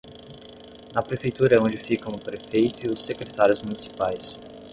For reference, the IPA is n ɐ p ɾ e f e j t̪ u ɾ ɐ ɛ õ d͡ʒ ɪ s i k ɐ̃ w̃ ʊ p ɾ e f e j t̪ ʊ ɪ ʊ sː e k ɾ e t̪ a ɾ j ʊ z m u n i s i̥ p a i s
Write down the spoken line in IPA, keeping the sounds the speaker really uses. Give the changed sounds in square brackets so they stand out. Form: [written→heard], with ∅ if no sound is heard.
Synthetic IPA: n ɐ p ɾ e f e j t̪ u ɾ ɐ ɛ õ d͡ʒ ɪ [s→f] i k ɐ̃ w̃ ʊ p ɾ e f e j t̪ ʊ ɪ ʊ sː e k ɾ e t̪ a ɾ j ʊ z m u n i s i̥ p a [i→j] s